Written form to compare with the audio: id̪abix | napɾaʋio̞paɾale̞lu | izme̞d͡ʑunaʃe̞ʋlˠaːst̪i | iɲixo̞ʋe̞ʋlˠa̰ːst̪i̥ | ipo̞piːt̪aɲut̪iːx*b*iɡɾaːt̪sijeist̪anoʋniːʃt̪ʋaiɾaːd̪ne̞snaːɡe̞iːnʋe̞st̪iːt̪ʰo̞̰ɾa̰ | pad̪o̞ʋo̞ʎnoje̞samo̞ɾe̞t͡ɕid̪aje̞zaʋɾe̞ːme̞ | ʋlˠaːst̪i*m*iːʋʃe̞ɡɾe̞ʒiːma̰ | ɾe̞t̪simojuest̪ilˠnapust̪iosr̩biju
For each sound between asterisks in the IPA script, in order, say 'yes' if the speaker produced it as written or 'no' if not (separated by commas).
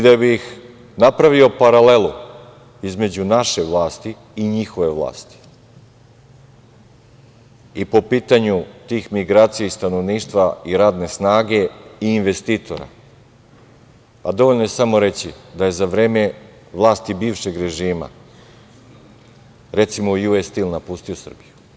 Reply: no, no